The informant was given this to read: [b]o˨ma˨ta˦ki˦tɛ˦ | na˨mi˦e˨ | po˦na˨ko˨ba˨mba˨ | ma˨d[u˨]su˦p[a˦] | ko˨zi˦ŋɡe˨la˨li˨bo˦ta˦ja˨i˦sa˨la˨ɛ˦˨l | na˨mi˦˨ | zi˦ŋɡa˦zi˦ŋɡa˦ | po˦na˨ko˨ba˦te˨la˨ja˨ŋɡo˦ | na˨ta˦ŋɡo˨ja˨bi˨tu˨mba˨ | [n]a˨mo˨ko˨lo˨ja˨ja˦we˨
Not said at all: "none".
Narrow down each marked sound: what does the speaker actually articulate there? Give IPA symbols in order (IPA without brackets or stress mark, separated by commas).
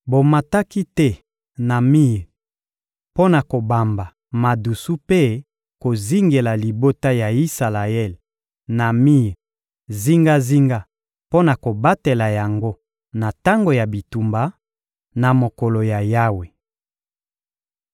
b, u˨, e˦, n